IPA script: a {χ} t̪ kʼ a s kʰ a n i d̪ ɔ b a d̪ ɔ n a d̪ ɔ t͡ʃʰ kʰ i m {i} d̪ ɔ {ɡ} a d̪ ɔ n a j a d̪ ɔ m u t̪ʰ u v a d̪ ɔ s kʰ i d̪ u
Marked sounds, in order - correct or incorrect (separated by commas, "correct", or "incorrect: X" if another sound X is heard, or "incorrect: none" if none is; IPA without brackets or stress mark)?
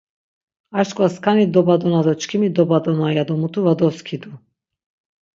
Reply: incorrect: ʃ, correct, incorrect: b